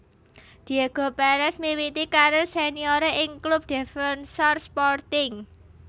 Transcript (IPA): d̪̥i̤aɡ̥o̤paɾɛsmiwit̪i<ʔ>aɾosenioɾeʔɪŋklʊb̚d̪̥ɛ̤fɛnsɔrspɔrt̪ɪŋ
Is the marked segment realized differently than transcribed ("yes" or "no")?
yes